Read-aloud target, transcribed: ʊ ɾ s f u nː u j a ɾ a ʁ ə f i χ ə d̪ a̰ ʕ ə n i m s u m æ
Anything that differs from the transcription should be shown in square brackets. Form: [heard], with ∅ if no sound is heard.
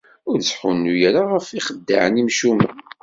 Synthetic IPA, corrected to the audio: ʊ ɾ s [ħ] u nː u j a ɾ a ʁ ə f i χ ə [d̪ː] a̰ ʕ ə n i m [ʃ] u m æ